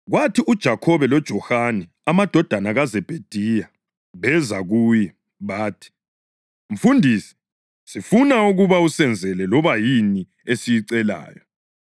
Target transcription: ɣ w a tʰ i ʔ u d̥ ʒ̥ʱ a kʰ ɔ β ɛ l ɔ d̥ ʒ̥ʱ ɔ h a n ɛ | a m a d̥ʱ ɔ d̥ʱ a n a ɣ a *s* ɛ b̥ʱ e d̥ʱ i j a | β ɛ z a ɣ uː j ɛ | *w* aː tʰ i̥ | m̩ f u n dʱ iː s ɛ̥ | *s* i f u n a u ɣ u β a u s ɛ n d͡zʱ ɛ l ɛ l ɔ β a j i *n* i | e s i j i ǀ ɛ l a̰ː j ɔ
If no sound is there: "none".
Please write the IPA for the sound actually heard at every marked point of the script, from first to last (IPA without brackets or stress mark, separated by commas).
z, β, s, n